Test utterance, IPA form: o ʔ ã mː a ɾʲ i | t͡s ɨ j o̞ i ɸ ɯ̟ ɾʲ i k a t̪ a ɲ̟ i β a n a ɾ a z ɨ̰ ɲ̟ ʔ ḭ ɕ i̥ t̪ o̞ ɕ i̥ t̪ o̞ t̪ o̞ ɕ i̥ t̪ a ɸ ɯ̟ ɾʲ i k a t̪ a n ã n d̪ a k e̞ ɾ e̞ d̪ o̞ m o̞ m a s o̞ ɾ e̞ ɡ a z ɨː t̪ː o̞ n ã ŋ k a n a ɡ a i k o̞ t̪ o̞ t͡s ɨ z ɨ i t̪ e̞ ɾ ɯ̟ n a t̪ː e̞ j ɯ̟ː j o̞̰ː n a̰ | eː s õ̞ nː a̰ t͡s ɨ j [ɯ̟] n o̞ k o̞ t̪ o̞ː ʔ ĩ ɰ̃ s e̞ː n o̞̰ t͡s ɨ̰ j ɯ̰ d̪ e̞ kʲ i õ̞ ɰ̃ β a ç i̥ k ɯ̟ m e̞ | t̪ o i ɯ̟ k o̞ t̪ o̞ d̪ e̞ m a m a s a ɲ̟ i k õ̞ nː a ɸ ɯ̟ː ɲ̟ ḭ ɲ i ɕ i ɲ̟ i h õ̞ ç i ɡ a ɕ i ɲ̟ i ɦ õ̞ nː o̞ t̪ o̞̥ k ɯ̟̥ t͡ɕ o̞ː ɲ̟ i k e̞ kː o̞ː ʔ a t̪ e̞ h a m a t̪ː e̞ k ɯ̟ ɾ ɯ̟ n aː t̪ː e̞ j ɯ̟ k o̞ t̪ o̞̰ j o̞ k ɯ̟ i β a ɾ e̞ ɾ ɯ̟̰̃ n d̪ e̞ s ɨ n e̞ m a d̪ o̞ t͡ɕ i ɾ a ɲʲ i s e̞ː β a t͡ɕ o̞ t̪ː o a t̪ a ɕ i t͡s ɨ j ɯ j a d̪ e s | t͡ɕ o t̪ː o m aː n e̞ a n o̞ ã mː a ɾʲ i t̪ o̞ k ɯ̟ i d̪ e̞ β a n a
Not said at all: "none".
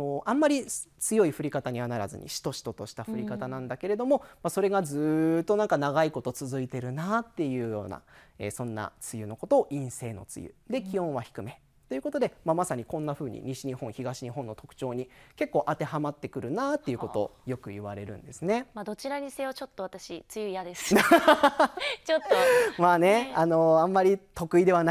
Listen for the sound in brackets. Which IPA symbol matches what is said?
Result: ɯ̟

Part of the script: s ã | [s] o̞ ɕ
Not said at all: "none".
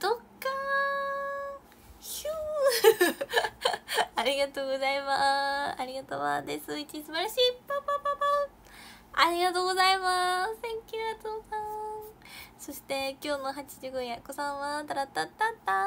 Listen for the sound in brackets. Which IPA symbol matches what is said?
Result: s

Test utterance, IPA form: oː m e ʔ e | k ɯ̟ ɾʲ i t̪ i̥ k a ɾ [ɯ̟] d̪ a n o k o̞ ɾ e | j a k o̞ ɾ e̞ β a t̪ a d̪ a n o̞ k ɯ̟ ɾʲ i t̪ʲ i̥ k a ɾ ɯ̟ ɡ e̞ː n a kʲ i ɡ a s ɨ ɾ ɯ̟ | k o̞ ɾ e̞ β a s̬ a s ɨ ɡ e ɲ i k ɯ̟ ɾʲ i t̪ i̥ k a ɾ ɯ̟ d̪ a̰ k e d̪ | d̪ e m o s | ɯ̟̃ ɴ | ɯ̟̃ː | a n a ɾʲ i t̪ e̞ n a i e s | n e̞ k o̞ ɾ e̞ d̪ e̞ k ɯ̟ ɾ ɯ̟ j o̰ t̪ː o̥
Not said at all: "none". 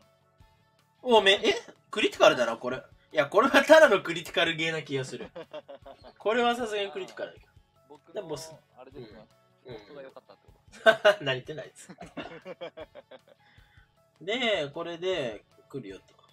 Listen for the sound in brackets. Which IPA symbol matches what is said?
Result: ɯ̟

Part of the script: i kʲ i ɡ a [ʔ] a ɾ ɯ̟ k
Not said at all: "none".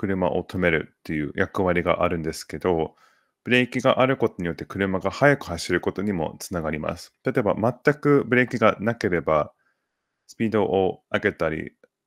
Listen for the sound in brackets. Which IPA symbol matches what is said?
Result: ʔ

